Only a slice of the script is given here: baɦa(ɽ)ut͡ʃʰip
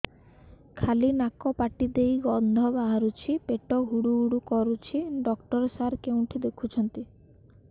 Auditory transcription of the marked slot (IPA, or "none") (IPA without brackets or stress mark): ɾ